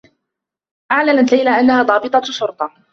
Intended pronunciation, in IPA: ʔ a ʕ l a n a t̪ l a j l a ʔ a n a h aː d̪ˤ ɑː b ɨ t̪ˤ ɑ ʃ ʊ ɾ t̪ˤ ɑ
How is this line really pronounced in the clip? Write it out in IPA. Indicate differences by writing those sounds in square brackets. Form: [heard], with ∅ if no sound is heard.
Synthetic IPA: ʔ a ʕ l a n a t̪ l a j l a ʔ a [nː] a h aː d̪ˤ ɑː b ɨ t̪ˤ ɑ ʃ ʊ ɾ t̪ˤ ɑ